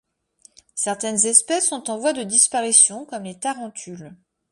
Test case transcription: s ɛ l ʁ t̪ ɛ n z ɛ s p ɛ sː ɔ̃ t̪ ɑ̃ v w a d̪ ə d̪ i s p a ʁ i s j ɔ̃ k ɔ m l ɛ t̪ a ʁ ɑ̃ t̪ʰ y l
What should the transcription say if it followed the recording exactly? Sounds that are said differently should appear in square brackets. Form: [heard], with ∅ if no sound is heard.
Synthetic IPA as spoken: s ɛ [∅] ʁ t̪ ɛ n z ɛ s p ɛ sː ɔ̃ t̪ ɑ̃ v w a d̪ ə d̪ i s p a ʁ i s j ɔ̃ k ɔ m l [e] t̪ a ʁ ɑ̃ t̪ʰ y l